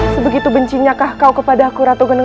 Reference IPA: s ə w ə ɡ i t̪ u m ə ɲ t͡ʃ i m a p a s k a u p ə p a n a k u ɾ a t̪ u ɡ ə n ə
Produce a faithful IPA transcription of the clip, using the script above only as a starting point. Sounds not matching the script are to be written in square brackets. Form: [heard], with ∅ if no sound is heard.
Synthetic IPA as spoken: s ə [b] ə ɡ i t̪ u [b] ə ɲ t͡ʃ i [ɲ] a [k] a [h] k a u [k] ə p a [d] a k u ɾ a t̪ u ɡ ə n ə